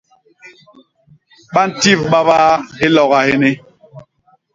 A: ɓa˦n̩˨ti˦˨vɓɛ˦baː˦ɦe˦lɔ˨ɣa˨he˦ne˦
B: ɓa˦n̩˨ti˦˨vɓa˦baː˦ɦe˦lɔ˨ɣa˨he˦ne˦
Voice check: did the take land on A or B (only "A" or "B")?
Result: B